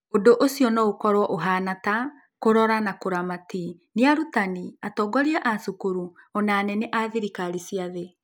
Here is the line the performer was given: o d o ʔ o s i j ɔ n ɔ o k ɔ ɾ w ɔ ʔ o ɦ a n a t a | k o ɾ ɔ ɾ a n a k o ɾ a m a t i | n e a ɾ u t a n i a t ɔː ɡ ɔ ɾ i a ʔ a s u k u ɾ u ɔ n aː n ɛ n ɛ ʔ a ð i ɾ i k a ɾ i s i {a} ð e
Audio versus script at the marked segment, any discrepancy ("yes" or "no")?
no